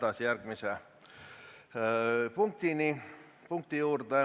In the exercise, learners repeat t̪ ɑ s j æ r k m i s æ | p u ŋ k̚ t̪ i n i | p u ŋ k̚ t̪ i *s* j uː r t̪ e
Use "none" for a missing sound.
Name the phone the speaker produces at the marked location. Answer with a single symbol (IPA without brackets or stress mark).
none